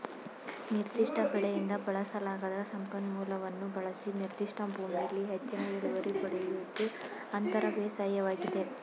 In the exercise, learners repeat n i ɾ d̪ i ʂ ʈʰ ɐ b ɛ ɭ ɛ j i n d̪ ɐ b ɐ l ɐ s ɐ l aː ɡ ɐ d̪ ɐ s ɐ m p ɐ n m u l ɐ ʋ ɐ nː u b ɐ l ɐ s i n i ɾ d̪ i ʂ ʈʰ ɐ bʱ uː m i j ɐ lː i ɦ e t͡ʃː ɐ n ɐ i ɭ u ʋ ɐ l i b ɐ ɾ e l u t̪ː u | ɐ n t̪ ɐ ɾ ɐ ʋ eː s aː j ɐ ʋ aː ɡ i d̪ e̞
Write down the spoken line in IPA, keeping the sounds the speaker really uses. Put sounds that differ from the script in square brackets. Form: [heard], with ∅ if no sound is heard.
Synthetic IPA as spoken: n i ɾ d̪ i ʂ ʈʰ ɐ b ɛ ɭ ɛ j i n d̪ ɐ b ɐ [ɭ] ɐ s ɐ l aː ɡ ɐ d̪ ɐ s ɐ m p ɐ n m [uː] l ɐ ʋ ɐ nː u b ɐ [ɭ] ɐ s i n i ɾ d̪ i ʂ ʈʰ ɐ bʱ uː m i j ɐ lː i ɦ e t͡ʃː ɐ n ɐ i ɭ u ʋ ɐ [ɾ] i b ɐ [ɽ] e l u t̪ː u | ɐ n t̪ ɐ ɾ ɐ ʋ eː s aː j ɐ ʋ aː ɡ i d̪ e̞